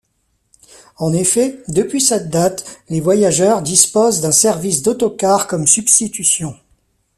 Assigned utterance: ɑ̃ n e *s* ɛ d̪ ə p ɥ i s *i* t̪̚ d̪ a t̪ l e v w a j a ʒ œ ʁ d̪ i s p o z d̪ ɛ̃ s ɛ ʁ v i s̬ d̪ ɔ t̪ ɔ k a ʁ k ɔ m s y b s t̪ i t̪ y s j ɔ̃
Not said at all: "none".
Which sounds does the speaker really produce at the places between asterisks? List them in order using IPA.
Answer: f, ɛ

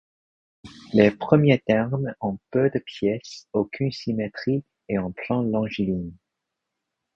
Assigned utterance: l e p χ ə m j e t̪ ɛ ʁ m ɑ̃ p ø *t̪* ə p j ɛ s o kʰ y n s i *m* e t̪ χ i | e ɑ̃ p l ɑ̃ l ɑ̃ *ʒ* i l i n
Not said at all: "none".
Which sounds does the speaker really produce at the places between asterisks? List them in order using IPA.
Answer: d̪, m, ʒ

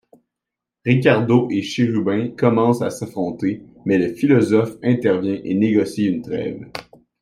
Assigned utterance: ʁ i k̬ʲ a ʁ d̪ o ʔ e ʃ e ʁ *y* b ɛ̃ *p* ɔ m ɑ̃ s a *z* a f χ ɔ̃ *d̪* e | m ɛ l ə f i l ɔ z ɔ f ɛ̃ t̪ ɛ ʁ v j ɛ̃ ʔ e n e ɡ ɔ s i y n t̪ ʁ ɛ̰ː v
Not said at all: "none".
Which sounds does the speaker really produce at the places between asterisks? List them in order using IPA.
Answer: y, k, s, t̪

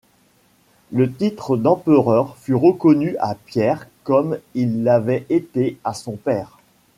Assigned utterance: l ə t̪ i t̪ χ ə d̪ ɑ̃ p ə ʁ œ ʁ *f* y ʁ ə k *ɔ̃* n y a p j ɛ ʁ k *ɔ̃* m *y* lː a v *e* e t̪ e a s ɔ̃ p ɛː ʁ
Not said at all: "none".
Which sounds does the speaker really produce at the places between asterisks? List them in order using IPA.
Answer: f, ɔ, ɔ, i, ɛ

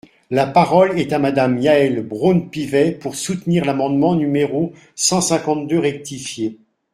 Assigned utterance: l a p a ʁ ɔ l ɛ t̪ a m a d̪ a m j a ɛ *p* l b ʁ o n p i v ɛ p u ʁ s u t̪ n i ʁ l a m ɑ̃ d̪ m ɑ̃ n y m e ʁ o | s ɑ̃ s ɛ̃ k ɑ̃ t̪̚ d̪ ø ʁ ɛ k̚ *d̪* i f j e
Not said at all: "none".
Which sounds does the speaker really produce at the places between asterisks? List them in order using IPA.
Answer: none, t̪

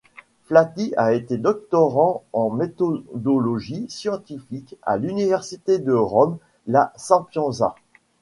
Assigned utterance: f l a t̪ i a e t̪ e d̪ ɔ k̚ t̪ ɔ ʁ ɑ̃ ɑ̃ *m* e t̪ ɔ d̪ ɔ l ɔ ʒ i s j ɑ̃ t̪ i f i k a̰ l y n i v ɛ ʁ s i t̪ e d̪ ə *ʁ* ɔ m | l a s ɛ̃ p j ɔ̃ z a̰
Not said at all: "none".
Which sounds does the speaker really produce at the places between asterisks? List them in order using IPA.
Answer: m, ʁ

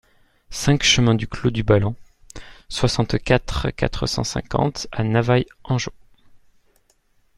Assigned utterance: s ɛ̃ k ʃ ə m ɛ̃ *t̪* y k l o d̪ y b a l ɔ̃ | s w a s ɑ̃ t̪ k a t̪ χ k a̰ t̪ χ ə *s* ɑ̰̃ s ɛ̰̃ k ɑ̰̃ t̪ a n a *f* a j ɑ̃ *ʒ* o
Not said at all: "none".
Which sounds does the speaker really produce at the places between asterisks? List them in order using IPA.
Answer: d̪, s, v, ʒ

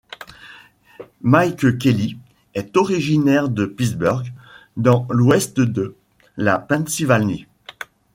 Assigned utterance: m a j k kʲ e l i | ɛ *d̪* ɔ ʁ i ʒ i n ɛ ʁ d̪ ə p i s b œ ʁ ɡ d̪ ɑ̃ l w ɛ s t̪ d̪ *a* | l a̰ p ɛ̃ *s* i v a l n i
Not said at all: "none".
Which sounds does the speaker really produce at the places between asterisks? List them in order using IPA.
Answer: t̪, ə, s

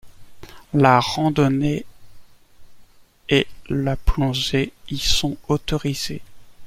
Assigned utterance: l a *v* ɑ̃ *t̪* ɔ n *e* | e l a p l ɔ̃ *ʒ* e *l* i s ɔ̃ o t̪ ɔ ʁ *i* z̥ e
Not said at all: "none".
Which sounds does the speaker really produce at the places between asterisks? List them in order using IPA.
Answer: ʁ, d̪, e, ʒ, none, i

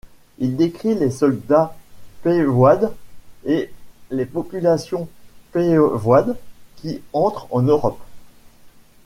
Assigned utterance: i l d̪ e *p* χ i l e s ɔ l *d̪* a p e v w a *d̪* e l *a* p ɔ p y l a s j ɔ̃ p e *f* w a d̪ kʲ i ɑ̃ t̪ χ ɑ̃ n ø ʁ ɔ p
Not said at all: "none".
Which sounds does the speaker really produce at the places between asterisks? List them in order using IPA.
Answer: k, d̪, d̪, e, v

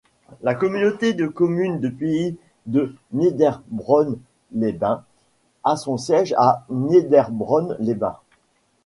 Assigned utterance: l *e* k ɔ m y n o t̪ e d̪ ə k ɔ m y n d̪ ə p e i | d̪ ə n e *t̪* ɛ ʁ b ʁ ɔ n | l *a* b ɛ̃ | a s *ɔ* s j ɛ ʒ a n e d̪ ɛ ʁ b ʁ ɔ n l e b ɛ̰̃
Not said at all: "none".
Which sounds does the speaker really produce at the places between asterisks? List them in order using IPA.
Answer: a, d̪, e, ɔ̃

